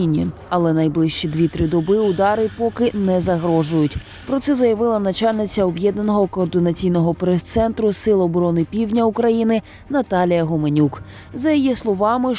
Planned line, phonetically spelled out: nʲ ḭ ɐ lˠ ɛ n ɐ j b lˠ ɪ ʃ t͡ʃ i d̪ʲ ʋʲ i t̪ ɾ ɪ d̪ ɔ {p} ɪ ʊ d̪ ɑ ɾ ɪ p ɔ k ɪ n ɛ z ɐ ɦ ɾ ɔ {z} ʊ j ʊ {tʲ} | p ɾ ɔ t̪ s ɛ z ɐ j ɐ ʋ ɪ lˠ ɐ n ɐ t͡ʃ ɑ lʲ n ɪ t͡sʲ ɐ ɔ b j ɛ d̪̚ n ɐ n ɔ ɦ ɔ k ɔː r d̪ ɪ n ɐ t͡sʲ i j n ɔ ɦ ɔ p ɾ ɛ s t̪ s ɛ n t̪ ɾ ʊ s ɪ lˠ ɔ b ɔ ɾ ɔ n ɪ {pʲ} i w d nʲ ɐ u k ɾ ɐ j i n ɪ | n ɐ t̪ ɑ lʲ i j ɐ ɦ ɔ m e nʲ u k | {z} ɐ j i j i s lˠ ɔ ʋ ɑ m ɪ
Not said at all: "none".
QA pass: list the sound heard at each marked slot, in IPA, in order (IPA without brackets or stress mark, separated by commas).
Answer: b, ʒ, tʲ, pʲ, z